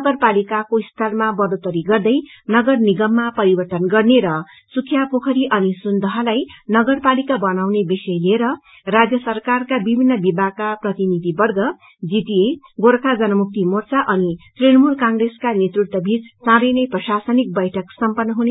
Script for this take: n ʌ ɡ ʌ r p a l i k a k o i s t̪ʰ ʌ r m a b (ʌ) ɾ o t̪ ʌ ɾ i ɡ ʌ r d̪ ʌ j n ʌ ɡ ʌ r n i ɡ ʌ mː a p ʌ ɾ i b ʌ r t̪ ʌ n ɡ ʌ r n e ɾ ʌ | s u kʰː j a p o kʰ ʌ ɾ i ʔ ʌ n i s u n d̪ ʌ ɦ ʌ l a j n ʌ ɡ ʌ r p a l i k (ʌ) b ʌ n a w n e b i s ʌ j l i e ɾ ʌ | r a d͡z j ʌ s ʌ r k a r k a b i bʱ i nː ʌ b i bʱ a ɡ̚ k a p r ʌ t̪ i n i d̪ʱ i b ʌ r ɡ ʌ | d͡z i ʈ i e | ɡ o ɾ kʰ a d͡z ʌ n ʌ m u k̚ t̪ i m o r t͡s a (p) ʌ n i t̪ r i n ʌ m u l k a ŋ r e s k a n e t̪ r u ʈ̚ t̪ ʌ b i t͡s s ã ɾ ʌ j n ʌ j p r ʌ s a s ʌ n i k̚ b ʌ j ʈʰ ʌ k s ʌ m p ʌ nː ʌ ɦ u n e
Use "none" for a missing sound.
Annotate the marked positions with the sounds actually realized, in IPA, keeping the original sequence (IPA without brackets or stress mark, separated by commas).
ʌ, a, ʔ